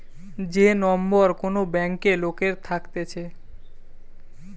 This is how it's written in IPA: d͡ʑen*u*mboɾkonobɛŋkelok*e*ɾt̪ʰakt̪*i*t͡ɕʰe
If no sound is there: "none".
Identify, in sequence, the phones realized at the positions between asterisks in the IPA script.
ɔ, e, e

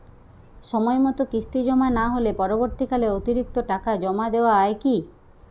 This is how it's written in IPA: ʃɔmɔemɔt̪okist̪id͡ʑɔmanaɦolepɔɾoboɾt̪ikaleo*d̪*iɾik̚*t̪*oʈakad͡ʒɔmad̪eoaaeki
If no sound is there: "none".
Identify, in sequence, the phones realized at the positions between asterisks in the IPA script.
t̪, t̪

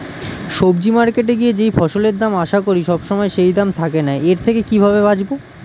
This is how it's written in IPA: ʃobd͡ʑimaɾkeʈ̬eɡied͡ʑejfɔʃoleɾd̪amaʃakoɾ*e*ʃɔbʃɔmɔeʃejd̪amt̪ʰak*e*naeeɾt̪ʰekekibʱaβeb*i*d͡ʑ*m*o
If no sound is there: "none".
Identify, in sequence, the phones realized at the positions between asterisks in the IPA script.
i, e, a, b

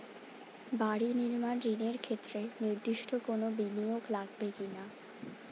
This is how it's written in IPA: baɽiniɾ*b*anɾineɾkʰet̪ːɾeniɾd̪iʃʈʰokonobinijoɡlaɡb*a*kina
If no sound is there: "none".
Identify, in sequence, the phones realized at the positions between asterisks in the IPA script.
m, e

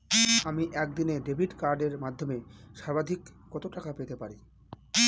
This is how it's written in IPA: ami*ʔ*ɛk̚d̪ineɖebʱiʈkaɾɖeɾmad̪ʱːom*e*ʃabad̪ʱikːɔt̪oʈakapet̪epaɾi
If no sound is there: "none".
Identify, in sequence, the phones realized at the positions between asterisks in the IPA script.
ʔ, e

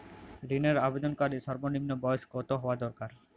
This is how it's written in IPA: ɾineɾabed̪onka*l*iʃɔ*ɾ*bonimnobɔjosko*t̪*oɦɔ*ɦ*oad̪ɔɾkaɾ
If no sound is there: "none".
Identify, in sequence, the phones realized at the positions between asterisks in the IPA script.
ɾ, ɾ, t̪, none

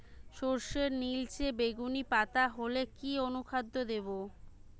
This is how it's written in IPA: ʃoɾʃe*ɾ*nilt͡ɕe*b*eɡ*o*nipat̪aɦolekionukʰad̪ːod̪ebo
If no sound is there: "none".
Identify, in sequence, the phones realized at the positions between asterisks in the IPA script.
ɾ, b, u

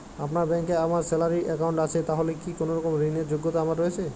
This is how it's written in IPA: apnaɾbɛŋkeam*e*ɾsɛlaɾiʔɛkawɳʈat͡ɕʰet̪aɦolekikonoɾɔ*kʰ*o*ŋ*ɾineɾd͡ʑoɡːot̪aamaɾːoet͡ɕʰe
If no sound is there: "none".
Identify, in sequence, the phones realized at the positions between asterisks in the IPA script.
a, k, m

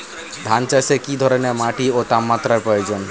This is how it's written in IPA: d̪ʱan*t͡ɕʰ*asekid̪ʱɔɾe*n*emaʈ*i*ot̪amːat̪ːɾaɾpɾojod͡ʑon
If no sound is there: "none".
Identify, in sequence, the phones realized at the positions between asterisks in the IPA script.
t͡ɕ, n, i

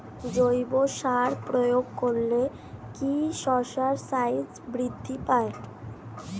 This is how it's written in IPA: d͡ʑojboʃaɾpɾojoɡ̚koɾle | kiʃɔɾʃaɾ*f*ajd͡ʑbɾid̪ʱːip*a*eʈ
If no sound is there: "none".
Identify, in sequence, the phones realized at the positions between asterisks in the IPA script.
s, a

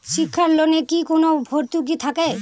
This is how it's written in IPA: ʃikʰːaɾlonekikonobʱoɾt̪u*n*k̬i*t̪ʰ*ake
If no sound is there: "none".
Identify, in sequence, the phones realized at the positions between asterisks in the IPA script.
none, t̪ʰ

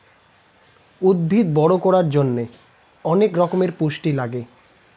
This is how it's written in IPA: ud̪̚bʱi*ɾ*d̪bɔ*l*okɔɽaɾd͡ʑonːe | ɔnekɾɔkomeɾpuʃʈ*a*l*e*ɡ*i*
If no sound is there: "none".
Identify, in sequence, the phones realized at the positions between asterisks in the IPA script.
none, ɽ, i, a, e

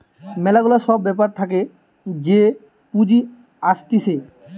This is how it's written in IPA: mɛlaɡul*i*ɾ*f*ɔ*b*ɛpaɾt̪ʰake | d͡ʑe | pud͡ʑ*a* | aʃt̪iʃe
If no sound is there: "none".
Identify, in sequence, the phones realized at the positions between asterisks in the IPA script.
a, ʃ, bː, i

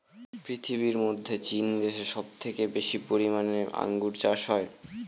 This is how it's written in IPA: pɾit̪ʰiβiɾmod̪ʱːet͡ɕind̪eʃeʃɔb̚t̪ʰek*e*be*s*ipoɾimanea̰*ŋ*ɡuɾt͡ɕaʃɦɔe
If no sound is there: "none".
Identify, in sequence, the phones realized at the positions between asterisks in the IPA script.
e, ʃ, ŋ

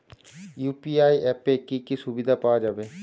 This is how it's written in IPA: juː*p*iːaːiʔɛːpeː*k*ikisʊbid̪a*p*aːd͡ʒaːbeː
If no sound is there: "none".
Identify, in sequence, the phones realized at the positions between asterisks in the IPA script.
p, k, p

